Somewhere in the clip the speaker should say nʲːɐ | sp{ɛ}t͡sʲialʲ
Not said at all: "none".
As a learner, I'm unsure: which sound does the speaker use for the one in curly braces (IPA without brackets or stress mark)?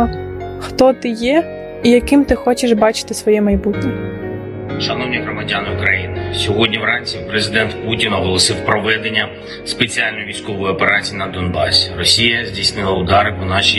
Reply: e